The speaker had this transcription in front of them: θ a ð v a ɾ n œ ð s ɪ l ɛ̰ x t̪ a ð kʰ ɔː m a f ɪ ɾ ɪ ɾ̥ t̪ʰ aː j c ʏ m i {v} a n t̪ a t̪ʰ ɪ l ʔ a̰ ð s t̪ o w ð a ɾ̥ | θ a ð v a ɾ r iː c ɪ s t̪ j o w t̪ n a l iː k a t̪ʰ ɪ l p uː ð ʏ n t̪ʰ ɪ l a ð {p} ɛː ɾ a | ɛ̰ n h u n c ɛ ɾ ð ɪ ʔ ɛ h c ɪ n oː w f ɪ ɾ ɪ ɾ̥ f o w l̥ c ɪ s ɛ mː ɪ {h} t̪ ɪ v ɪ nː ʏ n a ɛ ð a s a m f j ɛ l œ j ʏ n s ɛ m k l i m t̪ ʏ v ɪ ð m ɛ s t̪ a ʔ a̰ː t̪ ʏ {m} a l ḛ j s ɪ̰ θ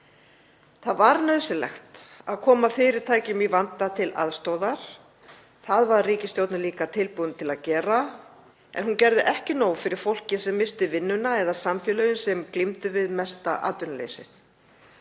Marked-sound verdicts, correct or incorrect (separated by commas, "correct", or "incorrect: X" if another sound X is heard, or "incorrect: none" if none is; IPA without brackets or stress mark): correct, incorrect: c, incorrect: s, incorrect: n